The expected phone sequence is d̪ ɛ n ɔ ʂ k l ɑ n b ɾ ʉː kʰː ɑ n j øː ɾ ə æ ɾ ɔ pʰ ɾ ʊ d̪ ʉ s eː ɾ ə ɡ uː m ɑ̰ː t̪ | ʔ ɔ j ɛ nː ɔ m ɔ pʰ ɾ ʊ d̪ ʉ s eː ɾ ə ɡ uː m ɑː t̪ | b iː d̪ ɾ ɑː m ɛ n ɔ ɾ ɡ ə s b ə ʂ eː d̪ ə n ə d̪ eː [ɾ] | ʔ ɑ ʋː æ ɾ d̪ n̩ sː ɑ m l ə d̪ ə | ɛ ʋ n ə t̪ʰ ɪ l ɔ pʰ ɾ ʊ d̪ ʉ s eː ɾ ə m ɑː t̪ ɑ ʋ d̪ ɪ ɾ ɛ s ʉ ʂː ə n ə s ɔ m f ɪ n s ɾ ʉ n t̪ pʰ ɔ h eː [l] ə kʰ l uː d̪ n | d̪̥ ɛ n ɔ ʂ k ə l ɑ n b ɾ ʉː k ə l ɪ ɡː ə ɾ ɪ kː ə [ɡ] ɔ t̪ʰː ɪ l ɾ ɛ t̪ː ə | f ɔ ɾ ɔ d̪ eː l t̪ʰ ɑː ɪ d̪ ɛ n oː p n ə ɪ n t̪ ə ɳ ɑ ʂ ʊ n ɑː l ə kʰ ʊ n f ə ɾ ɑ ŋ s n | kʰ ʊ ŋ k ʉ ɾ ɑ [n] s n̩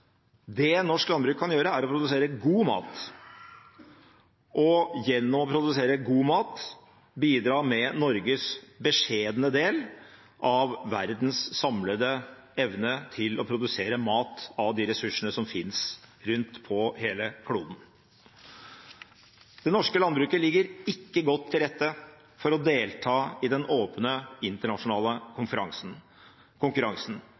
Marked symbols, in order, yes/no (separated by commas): no, yes, yes, no